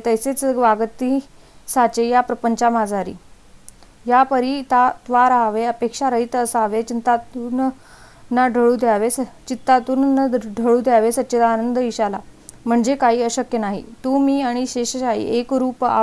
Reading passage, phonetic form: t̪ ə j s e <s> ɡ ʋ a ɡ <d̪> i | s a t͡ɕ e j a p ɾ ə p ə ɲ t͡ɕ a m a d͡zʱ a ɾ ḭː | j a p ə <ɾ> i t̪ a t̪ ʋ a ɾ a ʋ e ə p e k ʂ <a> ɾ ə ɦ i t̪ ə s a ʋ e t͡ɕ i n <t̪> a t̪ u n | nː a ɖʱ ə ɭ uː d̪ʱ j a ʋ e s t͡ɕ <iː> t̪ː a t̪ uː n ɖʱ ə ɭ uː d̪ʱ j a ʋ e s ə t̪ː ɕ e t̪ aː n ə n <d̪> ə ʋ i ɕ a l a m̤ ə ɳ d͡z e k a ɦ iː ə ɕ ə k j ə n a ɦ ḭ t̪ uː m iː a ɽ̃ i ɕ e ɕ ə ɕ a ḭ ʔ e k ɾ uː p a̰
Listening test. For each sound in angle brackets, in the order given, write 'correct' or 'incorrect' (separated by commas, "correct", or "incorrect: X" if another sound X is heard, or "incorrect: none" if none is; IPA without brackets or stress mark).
incorrect: t͡s, incorrect: t̪, correct, correct, correct, incorrect: i, correct